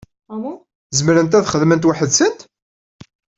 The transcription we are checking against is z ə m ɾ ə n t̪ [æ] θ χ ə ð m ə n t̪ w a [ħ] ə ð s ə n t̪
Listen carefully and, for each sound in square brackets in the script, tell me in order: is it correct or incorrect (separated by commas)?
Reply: correct, correct